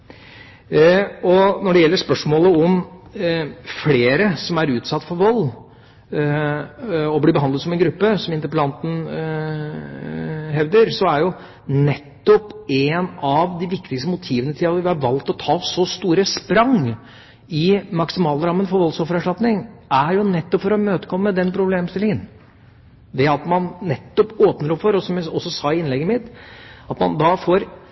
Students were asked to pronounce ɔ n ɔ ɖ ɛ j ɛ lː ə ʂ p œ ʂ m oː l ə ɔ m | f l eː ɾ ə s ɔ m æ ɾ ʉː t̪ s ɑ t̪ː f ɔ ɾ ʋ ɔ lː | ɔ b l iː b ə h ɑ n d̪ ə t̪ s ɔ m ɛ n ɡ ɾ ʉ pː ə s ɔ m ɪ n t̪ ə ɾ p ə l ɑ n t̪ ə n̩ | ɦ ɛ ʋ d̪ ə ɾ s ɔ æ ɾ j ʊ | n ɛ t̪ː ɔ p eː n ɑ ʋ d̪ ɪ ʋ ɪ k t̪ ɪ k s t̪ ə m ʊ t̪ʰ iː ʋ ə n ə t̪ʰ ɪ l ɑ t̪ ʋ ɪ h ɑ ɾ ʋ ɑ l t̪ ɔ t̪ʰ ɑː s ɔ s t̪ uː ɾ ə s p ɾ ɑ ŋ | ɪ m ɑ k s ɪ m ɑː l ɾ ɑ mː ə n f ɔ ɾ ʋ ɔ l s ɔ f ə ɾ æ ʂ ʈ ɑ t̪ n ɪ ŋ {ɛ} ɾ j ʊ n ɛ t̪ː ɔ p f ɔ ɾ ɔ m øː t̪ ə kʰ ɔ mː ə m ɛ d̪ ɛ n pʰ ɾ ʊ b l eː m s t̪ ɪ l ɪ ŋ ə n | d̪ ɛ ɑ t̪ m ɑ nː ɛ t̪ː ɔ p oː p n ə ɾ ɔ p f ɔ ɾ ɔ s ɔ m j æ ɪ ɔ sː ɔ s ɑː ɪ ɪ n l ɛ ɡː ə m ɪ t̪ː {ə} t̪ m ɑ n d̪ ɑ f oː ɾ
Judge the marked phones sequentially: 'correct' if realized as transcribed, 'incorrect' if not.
incorrect: æ, incorrect: ɑ

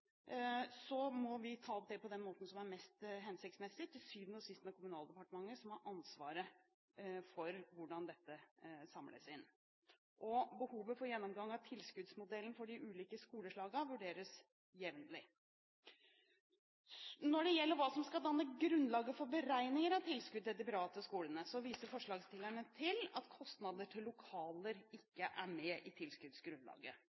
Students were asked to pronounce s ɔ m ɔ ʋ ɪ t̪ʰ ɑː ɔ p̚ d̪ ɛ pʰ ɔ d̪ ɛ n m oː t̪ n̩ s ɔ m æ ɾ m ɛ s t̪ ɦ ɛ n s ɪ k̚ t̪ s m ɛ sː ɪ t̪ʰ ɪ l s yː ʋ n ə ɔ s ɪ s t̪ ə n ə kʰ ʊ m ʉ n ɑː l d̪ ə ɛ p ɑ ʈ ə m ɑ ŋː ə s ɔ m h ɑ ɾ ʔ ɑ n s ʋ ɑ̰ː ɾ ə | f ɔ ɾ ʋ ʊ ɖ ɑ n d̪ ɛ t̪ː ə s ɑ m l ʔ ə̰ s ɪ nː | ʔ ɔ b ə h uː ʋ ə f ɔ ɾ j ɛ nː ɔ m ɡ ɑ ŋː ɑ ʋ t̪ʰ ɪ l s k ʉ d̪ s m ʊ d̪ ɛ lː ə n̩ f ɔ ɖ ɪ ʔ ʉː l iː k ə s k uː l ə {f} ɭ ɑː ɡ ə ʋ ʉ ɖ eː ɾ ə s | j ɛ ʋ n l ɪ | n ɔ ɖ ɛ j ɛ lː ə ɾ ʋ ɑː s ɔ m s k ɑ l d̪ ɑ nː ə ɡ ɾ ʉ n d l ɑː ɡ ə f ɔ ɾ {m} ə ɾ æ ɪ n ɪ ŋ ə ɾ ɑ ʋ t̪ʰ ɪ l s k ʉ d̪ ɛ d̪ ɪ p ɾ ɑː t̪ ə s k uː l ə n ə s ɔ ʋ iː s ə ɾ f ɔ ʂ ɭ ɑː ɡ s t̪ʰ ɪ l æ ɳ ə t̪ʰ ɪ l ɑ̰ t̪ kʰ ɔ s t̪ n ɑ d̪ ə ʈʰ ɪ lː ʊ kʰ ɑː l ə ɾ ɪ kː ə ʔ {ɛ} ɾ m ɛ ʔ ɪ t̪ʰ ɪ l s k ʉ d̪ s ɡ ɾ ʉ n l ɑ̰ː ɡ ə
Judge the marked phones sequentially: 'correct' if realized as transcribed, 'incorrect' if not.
incorrect: ʂ, incorrect: b, incorrect: æ

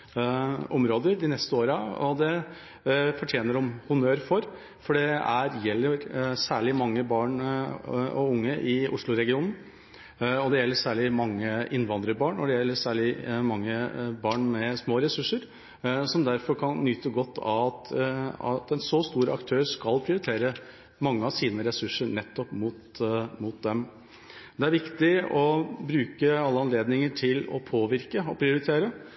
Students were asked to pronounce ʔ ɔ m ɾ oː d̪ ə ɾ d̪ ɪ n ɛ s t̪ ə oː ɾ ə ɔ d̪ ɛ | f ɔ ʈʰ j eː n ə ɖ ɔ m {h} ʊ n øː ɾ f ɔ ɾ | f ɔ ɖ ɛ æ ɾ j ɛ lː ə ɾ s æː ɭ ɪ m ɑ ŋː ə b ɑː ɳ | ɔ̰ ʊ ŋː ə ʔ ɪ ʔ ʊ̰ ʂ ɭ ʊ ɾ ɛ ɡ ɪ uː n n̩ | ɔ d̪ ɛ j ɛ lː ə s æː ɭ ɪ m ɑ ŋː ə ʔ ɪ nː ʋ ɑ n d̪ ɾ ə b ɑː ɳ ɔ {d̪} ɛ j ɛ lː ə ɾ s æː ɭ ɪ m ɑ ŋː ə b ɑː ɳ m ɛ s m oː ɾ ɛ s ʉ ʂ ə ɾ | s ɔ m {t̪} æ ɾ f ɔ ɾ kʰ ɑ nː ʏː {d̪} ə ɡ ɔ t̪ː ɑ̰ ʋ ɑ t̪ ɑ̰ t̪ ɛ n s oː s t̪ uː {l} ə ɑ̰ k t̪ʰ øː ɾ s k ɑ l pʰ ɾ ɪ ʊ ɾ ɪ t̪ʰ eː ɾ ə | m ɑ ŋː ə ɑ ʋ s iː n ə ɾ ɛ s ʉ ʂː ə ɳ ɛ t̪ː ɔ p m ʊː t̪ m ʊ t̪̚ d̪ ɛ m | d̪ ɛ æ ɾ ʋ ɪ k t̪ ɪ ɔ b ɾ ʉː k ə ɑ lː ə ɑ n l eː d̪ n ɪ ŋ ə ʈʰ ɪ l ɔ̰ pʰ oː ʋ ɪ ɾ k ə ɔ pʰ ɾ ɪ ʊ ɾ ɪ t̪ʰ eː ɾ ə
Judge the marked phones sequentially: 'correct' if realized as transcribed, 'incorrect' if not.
correct, correct, incorrect: d̪, incorrect: t̪, incorrect: ɾ

